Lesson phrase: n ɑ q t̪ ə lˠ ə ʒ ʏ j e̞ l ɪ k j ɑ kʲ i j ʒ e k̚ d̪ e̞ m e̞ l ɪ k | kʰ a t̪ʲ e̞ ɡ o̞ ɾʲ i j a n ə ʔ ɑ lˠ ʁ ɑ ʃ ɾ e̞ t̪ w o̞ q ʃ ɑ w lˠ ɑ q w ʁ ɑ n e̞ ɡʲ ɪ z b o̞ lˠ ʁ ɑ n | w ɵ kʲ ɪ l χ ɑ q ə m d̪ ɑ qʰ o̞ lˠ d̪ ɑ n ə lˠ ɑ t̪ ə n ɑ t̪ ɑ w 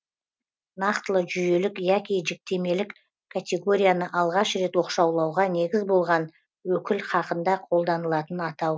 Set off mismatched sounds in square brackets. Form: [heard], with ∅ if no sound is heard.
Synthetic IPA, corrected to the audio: n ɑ q t̪ ə lˠ ə ʒ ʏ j e̞ l ɪ k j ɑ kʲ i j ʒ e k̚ [t̪] e̞ m e̞ l ɪ k | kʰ a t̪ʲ e̞ ɡ o̞ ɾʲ i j a n ə ʔ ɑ lˠ ʁ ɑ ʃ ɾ e̞ t̪ w o̞ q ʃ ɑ w lˠ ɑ [∅] w ʁ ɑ n e̞ ɡʲ ɪ z b o̞ lˠ ʁ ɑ n | w ɵ kʲ ɪ l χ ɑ q ə [n] d̪ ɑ qʰ o̞ lˠ d̪ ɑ n ə lˠ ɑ t̪ ə n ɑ t̪ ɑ w